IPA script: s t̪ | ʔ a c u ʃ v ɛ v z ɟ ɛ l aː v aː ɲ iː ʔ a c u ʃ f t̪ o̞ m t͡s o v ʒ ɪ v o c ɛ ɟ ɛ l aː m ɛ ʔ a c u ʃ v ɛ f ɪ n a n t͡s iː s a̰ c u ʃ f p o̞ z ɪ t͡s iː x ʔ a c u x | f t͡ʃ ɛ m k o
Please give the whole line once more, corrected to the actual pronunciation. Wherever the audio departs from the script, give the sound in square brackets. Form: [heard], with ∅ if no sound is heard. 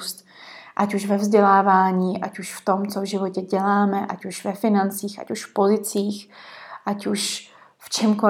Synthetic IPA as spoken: s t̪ | ʔ a c u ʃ v ɛ v z ɟ ɛ l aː v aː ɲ iː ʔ a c u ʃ f t̪ o̞ m t͡s o v ʒ ɪ v o c ɛ ɟ ɛ l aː m ɛ ʔ a c u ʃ v ɛ f ɪ n a n t͡s iː [x] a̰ c u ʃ f p o̞ z ɪ t͡s iː x ʔ a c u [ʃ] | f t͡ʃ ɛ m k o